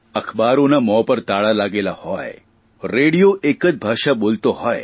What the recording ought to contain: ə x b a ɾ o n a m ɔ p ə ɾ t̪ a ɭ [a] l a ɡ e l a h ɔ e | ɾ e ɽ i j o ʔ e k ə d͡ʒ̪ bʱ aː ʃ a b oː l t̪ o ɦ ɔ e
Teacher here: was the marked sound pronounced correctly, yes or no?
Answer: yes